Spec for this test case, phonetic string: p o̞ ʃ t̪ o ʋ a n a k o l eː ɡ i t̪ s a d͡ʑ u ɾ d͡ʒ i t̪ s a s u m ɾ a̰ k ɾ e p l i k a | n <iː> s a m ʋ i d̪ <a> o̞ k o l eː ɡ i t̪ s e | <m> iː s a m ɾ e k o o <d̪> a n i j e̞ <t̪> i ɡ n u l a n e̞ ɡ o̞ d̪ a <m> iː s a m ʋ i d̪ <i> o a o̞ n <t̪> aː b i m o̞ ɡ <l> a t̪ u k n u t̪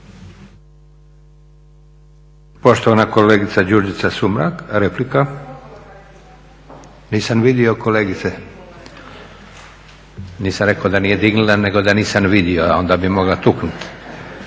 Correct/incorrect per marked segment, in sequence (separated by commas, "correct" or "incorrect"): correct, incorrect, incorrect, correct, incorrect, incorrect, correct, incorrect, correct